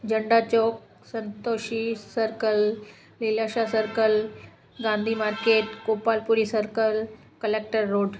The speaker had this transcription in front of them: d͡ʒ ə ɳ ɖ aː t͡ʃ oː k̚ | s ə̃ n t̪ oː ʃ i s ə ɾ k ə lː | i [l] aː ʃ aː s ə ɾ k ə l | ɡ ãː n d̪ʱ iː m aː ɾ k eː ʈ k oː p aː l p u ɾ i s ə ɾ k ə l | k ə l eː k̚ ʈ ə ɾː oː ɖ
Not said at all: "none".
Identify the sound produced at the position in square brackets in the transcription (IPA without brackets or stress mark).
l